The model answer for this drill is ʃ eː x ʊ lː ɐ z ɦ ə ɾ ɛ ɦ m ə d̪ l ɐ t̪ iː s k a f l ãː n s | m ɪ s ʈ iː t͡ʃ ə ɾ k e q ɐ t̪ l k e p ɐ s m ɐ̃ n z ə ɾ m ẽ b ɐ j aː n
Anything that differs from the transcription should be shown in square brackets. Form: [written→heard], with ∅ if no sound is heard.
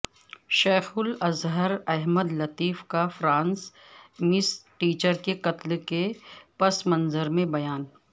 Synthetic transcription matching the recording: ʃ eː x ʊ [lː→l] ɐ z ɦ ə ɾ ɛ ɦ m ə d̪ l ɐ t̪ iː [s→f] k a f [l→ɾ] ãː n s | m ɪ s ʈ iː t͡ʃ ə ɾ k e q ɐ t̪ l k e p ɐ s m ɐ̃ n z ə ɾ m ẽ b ɐ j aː n